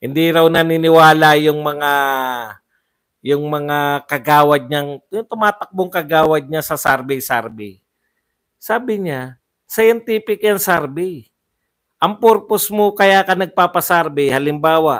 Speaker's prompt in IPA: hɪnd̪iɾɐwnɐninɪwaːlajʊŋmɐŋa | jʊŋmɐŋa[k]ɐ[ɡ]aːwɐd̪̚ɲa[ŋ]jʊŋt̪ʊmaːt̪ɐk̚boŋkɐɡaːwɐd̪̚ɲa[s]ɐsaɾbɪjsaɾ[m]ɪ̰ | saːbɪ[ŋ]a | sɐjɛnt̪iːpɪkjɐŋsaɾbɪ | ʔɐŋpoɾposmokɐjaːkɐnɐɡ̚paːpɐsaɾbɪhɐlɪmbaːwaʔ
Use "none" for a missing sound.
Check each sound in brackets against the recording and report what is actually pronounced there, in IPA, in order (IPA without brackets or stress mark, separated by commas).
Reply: k, ɡ, ŋ, s, b, ɲ